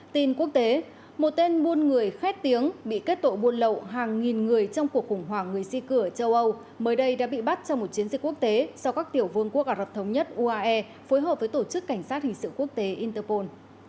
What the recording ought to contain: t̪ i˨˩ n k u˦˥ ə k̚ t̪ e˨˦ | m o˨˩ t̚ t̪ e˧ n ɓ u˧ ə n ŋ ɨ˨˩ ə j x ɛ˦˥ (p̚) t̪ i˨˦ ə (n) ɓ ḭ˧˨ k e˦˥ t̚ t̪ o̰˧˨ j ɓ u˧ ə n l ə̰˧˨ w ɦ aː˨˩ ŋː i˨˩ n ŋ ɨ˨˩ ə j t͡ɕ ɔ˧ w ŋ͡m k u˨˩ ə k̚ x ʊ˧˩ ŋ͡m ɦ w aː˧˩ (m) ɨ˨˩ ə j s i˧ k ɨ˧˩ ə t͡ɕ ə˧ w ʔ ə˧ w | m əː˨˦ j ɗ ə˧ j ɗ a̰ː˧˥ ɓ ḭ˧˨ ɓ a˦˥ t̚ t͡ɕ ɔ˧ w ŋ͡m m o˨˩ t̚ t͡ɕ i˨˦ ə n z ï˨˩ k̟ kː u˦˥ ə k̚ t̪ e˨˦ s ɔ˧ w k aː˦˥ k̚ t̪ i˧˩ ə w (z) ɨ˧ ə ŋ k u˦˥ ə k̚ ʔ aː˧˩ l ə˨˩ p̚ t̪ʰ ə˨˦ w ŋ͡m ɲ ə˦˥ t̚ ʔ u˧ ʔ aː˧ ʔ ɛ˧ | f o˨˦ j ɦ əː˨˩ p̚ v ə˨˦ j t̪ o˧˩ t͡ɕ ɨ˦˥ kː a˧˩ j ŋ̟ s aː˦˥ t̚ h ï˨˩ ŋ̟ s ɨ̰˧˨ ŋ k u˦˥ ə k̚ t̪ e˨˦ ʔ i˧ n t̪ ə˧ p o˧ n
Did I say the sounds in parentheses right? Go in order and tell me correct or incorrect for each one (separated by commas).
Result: incorrect, incorrect, incorrect, incorrect